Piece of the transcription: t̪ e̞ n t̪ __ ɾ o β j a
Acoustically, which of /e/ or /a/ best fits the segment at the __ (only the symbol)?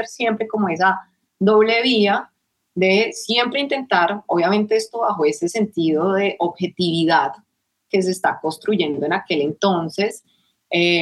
a